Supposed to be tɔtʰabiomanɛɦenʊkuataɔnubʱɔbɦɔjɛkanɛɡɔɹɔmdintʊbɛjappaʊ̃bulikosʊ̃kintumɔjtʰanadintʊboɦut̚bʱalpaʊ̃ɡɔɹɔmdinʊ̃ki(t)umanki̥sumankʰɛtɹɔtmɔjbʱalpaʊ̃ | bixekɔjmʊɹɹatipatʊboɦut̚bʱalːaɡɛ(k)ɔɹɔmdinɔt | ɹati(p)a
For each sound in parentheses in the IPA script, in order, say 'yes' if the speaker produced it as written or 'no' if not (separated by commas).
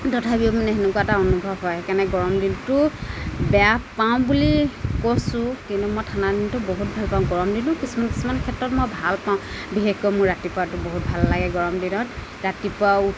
no, no, yes